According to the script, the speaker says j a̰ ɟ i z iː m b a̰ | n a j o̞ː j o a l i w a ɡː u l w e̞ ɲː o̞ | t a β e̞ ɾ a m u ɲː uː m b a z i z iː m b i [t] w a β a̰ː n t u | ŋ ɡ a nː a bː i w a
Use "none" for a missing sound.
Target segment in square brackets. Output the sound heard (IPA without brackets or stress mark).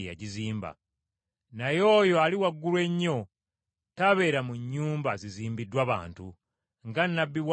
d